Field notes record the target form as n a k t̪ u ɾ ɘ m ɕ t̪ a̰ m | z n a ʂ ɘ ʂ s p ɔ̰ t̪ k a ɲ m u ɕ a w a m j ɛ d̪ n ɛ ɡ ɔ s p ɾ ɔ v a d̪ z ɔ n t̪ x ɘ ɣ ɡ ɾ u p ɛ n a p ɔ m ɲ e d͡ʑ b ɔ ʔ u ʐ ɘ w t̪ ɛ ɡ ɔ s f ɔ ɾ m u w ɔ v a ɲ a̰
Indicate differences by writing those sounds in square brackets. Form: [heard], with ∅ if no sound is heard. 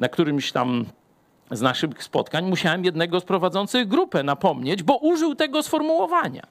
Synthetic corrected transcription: n a k t̪ u ɾ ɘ m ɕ t̪ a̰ m | z n a ʂ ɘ [x] s p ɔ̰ t̪ k a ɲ m u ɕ a w [ɛ] m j ɛ d̪ n ɛ ɡ ɔ s p ɾ ɔ v a d̪ z ɔ n t̪ [s] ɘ ɣ ɡ ɾ u p ɛ n a p ɔ m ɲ e d͡ʑ b ɔ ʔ u ʐ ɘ w t̪ ɛ ɡ ɔ s f ɔ ɾ m u w ɔ v a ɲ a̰